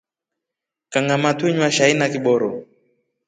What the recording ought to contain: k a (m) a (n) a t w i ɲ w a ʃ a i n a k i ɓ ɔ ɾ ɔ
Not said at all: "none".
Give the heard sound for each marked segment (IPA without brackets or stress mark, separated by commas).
ŋ, m